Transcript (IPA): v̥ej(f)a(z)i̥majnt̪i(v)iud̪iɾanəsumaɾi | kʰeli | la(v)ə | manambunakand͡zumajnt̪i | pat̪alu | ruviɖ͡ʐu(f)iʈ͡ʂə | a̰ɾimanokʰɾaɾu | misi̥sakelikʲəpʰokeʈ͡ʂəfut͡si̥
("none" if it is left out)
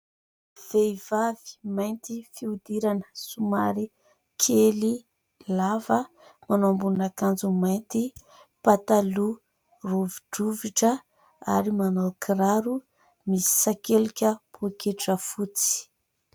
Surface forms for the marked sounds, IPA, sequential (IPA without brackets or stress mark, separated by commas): v, v, f, v, v